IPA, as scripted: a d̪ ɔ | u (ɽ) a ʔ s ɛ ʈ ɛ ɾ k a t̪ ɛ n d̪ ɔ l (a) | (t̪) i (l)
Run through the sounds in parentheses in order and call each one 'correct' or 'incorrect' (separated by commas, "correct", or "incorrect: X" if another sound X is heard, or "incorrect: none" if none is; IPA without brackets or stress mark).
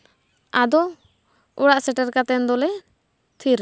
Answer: correct, incorrect: ɛ, incorrect: t̪ʰ, incorrect: ɾ